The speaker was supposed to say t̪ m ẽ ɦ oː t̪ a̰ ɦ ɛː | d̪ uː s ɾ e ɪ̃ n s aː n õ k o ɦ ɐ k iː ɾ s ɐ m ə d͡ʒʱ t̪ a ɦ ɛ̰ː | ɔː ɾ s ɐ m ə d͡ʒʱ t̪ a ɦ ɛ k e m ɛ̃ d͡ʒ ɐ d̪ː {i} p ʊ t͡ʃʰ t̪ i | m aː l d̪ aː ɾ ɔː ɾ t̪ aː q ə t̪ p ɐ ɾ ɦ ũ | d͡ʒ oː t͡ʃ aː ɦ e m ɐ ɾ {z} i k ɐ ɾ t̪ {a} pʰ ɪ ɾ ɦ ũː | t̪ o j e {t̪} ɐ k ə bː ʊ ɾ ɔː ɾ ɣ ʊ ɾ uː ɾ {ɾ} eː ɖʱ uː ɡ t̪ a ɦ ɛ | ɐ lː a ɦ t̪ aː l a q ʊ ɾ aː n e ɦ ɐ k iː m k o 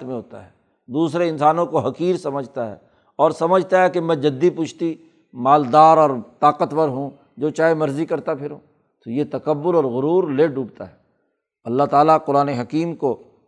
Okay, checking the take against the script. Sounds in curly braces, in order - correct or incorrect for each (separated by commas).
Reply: correct, correct, correct, correct, incorrect